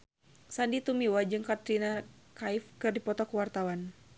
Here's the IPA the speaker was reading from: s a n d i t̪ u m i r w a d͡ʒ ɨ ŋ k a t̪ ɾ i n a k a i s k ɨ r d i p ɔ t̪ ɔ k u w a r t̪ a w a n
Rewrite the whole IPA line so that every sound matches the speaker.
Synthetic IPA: s a n d i t̪ u m i w a d͡ʒ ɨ ŋ k a t̪ ɾ i n a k a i f k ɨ r d i p ɔ t̪ ɔ k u w a r t̪ a w a n